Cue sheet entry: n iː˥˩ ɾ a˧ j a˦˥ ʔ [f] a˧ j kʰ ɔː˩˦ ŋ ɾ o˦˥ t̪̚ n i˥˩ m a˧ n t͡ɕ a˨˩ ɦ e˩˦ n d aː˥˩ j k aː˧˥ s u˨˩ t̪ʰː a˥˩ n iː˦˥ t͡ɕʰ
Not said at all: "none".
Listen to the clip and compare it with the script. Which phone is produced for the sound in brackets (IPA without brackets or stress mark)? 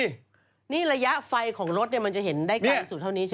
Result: f